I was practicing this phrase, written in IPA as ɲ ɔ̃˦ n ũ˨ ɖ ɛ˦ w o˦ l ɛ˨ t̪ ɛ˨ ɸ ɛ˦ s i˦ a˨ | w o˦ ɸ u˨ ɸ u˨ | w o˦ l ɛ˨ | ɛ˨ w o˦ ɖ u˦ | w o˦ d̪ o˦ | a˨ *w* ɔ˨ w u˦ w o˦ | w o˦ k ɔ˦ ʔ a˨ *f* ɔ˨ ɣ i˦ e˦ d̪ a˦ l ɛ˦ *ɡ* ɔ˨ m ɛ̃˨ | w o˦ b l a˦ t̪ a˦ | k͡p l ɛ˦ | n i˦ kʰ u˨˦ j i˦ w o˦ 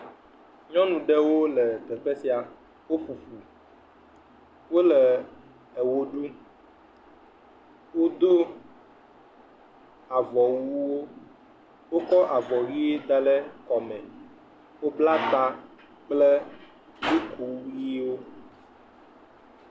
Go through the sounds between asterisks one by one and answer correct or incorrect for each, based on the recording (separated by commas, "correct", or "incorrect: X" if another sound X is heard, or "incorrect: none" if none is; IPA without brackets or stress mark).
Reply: incorrect: v, incorrect: v, incorrect: k